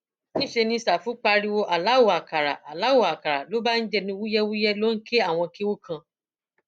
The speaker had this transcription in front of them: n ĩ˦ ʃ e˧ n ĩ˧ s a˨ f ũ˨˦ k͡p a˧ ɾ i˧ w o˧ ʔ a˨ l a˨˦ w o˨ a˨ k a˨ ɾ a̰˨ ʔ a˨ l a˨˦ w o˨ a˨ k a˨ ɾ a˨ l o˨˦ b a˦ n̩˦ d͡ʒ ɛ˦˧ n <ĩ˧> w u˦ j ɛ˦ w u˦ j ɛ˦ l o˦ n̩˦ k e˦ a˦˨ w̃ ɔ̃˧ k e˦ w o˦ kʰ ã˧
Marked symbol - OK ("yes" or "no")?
yes